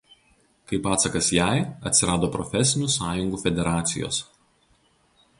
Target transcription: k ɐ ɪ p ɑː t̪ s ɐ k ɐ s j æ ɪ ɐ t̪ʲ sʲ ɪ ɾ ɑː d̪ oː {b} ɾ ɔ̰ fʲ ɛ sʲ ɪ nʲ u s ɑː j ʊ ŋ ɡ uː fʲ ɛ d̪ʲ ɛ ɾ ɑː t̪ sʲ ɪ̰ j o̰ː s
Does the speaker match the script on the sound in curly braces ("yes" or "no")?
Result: no